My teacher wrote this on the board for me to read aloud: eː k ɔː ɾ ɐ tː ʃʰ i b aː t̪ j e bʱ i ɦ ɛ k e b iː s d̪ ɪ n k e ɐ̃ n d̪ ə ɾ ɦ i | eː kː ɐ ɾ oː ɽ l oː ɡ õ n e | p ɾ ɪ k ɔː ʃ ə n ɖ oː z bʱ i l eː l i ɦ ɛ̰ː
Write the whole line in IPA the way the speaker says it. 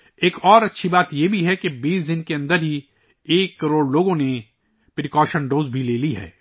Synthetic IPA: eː k ɔː ɾ ɐ tː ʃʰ i b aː t̪ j e bʱ i ɦ ɛ k e b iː s d̪ ɪ n k e ɐ̃ n d̪ ə ɾ ɦ i | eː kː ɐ ɾ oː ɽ l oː ɡ õ n e | p ɾ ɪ k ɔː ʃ ə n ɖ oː z bʱ i l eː l i ɦ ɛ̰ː